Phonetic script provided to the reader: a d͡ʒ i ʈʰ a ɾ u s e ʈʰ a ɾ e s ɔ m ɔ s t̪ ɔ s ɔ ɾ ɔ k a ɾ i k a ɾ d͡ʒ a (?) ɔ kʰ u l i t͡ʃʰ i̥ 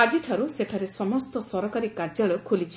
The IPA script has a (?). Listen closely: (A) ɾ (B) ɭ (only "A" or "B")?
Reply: B